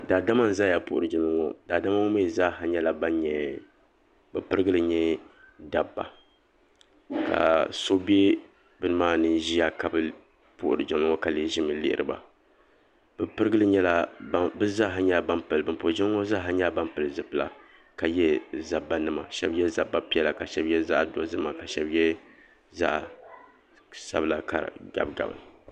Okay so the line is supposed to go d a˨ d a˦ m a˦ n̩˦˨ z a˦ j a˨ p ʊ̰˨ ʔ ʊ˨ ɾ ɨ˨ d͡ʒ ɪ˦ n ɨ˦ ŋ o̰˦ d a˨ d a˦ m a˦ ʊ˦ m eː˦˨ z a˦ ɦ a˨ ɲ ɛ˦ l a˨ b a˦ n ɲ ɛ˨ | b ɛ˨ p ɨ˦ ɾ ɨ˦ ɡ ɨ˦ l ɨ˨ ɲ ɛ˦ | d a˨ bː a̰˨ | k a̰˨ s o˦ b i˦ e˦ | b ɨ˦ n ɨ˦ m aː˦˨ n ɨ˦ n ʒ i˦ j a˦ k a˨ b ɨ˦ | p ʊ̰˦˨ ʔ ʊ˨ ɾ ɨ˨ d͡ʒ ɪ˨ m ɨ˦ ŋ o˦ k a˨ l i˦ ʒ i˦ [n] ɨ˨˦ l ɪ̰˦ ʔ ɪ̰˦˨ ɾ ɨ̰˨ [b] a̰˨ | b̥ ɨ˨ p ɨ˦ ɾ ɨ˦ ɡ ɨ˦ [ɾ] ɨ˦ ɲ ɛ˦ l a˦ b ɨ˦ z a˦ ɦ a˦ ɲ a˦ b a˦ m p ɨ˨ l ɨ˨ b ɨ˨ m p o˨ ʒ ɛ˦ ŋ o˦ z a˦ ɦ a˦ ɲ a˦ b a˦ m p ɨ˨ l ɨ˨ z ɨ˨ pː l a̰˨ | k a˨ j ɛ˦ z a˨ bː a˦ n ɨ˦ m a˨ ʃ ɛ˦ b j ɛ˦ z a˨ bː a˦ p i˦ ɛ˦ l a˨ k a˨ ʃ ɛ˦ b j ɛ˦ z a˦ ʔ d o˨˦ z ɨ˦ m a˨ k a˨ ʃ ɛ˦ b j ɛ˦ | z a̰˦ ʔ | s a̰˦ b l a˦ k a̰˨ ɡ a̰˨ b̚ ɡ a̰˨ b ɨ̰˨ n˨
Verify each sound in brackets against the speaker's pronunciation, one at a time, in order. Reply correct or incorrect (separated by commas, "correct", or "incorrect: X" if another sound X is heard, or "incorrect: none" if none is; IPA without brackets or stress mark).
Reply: incorrect: m, correct, incorrect: l